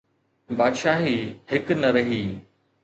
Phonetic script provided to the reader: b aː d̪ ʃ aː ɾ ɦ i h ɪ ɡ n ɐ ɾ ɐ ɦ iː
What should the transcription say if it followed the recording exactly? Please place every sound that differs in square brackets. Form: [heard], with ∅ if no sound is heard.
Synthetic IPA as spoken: b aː d̪ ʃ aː [∅] ɦ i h ɪ [k] n ɐ ɾ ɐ ɦ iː